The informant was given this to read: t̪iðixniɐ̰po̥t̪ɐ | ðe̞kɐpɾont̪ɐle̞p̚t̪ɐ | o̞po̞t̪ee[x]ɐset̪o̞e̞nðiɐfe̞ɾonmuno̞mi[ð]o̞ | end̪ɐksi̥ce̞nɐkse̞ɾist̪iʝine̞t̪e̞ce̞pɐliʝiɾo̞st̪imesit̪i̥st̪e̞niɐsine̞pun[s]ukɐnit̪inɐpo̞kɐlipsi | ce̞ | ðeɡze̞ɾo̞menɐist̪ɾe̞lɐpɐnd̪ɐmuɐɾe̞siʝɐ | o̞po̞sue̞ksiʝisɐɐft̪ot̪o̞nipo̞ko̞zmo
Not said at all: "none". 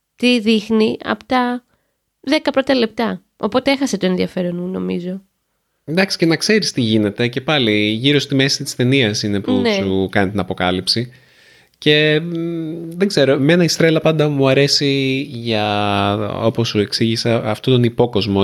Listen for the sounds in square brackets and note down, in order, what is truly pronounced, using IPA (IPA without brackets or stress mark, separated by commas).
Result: x, z, s